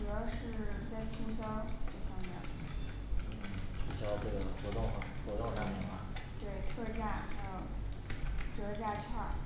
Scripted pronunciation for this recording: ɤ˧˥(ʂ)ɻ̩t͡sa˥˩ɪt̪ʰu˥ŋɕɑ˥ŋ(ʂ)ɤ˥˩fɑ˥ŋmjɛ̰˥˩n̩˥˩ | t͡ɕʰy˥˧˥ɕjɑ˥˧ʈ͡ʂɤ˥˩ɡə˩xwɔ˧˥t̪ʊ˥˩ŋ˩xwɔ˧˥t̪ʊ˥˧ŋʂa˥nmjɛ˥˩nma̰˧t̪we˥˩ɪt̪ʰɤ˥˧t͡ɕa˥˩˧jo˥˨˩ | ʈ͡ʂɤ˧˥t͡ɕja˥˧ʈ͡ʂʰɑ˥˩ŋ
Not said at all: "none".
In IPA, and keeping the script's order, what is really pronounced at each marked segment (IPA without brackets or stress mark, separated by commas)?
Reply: ʂ, ʈ͡ʂ